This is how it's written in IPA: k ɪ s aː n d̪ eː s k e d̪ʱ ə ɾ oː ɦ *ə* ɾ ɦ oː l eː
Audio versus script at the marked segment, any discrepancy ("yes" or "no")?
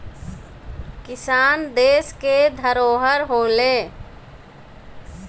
no